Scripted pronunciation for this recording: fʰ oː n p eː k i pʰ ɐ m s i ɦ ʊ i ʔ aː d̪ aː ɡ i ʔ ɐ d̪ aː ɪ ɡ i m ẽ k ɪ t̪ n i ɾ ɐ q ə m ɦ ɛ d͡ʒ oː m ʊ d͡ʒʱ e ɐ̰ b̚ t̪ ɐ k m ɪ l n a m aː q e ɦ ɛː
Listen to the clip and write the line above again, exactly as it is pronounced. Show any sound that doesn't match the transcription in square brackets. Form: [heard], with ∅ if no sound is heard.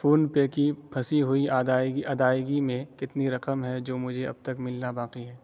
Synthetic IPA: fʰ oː n p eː k i pʰ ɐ [∅] s i ɦ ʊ i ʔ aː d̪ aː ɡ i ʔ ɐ d̪ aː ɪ ɡ i m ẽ k ɪ t̪ n i ɾ ɐ q ə m ɦ ɛ d͡ʒ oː m ʊ d͡ʒʱ e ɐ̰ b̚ t̪ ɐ k m ɪ l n a [b] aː q [i] ɦ ɛː